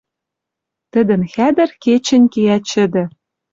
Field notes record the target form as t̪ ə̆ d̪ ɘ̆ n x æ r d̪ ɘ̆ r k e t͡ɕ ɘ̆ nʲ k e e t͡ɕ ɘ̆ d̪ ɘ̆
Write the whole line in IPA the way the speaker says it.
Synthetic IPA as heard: t̪ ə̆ d̪ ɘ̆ n x æ d̪ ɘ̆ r k e t͡ɕ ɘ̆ nʲ k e æ t͡ɕ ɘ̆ d̪ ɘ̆